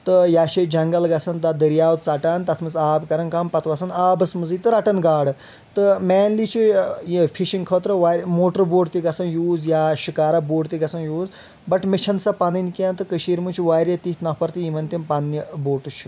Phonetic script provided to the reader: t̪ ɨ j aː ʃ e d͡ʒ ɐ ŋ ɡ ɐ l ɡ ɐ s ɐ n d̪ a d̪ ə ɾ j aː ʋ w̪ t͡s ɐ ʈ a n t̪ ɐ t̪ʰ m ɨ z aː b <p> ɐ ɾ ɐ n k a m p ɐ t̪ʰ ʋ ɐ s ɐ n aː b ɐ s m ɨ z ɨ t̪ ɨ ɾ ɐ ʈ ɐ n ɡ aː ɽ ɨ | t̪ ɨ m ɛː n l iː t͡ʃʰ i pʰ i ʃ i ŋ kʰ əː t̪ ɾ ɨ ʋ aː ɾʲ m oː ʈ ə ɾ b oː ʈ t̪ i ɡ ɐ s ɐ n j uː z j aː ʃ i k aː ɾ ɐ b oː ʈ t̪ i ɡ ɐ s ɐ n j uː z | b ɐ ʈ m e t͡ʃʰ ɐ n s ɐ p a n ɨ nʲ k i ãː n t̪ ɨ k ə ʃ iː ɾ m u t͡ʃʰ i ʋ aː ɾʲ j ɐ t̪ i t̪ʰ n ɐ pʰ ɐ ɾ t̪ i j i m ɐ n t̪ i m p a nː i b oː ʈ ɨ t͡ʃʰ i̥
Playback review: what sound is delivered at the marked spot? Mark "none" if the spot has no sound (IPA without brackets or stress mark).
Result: k